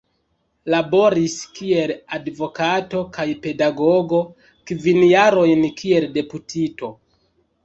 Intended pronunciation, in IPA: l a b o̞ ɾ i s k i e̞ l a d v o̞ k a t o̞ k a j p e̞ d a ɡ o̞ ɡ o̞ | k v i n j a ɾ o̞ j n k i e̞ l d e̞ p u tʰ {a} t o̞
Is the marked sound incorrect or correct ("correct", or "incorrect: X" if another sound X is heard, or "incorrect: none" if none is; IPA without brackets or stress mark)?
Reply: incorrect: i